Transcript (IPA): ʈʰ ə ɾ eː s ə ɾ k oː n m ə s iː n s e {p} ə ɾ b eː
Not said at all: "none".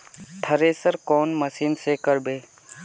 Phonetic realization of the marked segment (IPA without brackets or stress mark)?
k